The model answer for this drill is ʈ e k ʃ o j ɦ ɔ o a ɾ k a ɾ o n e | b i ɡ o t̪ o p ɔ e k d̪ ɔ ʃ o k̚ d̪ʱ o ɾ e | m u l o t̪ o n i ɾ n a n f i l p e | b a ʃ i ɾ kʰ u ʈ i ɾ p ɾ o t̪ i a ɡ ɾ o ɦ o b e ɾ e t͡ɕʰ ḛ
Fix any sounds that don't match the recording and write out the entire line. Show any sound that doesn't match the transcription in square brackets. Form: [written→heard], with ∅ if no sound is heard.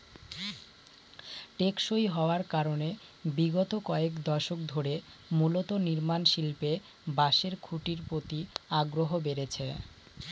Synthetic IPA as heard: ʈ e k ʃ o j ɦ ɔ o a ɾ k a ɾ o n e | b i ɡ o t̪ o [p→k] ɔ e k d̪ ɔ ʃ o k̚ d̪ʱ o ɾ e | m u l o t̪ o n i ɾ [n→m] a n [f→ʃ] i l p e | b a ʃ [i→e] ɾ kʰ u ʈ i ɾ p ɾ o t̪ i a ɡ ɾ o ɦ o b e ɾ e t͡ɕʰ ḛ

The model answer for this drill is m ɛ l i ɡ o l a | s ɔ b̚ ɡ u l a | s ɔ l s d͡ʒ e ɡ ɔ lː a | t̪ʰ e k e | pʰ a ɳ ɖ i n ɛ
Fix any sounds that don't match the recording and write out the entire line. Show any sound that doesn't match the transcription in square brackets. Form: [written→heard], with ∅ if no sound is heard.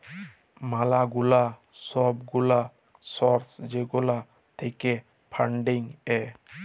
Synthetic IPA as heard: m [ɛ→a] l [i→a] ɡ [o→u] l a | s ɔ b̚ ɡ u l a | s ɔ [l→ɾ] s d͡ʒ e ɡ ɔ [lː→l] a | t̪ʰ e k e | pʰ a ɳ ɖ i [n→ŋ] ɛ

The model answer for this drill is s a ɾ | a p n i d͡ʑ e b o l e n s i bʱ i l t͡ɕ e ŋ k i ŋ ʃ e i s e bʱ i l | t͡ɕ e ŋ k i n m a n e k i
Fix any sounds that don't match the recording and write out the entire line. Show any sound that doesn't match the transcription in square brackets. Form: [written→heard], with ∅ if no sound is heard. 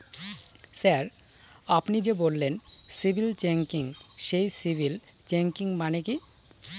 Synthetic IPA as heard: s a ɾ | a p n i d͡ʑ e b o [l→lː] e n s i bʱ i l t͡ɕ e ŋ k i ŋ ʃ e [i→j] s [e→i] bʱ i l | t͡ɕ e ŋ k i [n→ŋ] m a n e k i

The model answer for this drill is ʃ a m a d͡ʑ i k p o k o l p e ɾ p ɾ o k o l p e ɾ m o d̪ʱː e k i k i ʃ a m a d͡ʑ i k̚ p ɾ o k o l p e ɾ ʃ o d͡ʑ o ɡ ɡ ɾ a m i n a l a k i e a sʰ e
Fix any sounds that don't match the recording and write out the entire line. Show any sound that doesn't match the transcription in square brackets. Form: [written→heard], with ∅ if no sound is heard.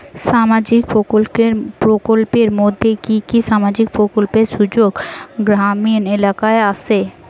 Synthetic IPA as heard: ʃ a m a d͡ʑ i k p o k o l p e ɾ p ɾ o k o l p e ɾ m o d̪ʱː e k i k i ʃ a m a d͡ʑ i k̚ p ɾ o k o l p e ɾ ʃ [o→u] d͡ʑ o ɡ ɡ ɾ a m i n [a→e] l a k [i→a] e a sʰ e

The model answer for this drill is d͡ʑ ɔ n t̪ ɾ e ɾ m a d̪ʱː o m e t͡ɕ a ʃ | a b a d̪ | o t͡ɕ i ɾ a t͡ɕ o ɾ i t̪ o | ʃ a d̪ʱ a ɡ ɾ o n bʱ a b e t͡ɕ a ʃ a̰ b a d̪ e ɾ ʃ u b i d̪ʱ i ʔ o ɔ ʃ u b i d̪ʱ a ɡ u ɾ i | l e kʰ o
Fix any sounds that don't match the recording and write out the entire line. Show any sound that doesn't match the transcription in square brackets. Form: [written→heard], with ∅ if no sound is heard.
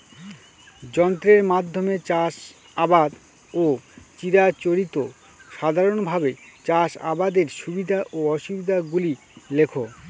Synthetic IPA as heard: d͡ʑ ɔ n t̪ ɾ e ɾ m a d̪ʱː o m e t͡ɕ a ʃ | a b a d̪ | o t͡ɕ i ɾ a t͡ɕ o ɾ i t̪ o | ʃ a d̪ʱ a [ɡ→∅] ɾ o n bʱ a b e t͡ɕ a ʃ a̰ b a d̪ e ɾ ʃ u b i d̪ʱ [i→a] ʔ o ɔ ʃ u b i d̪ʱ a ɡ u [ɾ→l] i | l e kʰ o

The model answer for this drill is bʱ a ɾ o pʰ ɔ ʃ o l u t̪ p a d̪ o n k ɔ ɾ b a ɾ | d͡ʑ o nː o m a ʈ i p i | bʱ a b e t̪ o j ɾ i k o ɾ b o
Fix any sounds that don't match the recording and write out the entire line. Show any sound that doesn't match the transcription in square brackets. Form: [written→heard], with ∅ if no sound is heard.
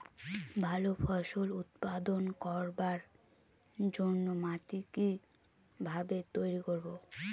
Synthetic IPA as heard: bʱ a [ɾ→l] o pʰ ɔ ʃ o l u t̪ p a d̪ o n k ɔ ɾ b a ɾ | d͡ʑ o nː o m a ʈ i [p→k] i | bʱ a b e t̪ o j ɾ i k o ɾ b o

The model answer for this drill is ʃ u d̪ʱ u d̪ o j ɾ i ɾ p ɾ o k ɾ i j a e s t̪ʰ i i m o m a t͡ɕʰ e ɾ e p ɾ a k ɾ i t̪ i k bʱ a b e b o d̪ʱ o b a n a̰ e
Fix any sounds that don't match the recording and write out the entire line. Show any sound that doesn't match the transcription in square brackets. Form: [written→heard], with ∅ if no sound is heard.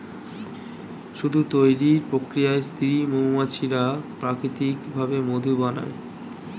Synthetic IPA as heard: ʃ u d̪ʱ u [d̪→t̪] o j ɾ i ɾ p ɾ o k ɾ i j a e s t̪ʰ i i m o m a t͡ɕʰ [e→i] ɾ [e→a] p ɾ a k ɾ i t̪ i k bʱ a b e [b→m] o d̪ʱ [o→u] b a n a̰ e

